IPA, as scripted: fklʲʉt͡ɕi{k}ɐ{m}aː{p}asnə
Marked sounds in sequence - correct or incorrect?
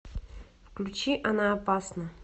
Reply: incorrect: ʔ, incorrect: n, correct

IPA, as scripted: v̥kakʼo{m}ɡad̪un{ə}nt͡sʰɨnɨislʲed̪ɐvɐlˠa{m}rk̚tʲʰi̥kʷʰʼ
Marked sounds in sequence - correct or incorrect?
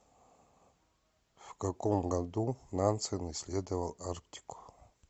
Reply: correct, incorrect: a, incorrect: none

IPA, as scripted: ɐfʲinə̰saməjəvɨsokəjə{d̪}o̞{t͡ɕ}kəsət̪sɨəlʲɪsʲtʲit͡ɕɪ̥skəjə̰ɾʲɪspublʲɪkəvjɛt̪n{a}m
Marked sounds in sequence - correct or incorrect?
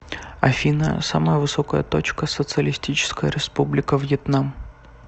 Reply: incorrect: t̪, correct, correct

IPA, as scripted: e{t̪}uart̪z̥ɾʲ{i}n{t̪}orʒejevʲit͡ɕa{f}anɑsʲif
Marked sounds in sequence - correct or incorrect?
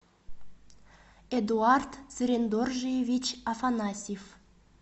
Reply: incorrect: d̪, incorrect: e, incorrect: d̪, correct

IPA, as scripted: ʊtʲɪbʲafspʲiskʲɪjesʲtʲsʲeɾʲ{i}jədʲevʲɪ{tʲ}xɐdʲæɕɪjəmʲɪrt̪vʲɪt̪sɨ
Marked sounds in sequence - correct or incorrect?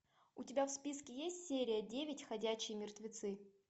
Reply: incorrect: ɪ, correct

